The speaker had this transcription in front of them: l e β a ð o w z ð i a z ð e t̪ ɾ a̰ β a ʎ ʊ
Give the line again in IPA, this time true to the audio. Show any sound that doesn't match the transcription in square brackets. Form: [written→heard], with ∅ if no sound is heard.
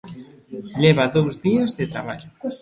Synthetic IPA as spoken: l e β a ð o w z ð i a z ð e t̪ ɾ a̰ β a ʎ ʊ